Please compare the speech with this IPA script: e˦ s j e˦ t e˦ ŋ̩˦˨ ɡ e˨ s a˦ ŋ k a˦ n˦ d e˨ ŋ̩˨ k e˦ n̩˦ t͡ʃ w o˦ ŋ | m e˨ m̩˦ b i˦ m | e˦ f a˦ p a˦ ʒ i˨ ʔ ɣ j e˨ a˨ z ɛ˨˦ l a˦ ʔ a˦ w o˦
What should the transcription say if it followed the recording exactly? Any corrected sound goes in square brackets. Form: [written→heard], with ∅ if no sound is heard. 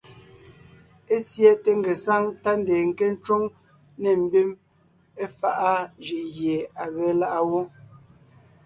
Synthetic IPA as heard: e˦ s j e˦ t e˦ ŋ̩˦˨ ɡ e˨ s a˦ ŋ [k→t] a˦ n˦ d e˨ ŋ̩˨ k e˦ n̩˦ t͡ʃ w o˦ ŋ | [m→n] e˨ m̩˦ b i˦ m | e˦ f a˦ [p→ʔ] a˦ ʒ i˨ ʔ ɣ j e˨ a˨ [z→ɣ] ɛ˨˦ l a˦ ʔ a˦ w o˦